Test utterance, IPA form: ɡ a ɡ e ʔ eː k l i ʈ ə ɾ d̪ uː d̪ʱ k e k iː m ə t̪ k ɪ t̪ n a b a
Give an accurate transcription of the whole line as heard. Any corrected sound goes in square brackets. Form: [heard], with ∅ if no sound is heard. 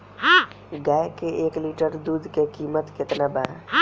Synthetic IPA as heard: ɡ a [k] e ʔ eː k l i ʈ ə ɾ d̪ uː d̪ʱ k e k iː m ə t̪ k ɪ t̪ n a b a